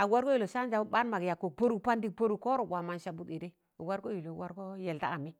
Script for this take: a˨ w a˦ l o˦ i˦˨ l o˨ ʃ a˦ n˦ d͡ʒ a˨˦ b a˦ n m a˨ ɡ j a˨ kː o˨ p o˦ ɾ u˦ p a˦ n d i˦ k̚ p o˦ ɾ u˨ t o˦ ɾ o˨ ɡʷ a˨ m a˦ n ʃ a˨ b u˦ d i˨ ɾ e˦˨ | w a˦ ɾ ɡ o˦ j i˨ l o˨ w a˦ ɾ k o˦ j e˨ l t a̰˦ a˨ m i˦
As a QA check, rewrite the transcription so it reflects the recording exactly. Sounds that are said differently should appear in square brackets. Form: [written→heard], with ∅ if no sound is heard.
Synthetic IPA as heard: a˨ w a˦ [l→ɾ] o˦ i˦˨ l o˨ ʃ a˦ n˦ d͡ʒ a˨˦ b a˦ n m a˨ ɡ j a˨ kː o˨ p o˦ ɾ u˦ p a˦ n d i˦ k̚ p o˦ ɾ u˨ [t→k] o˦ ɾ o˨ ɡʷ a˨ m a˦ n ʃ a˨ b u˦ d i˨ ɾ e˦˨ | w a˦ ɾ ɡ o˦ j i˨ l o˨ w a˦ ɾ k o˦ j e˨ l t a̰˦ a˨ m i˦